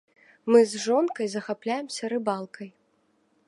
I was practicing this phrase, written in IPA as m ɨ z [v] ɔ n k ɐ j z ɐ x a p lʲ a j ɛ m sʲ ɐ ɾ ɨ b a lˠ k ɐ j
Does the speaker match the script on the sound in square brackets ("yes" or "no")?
no